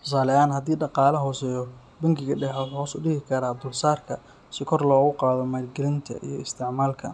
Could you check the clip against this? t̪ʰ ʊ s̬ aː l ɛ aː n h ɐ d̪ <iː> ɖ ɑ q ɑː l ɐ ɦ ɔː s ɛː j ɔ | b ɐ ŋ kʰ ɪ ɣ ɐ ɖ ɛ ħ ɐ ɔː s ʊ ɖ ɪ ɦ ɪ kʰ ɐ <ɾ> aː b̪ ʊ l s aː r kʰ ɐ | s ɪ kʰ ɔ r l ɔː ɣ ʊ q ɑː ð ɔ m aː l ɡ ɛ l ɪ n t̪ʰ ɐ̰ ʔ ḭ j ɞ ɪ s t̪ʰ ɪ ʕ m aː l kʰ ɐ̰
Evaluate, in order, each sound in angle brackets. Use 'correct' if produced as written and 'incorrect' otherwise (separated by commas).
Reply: correct, correct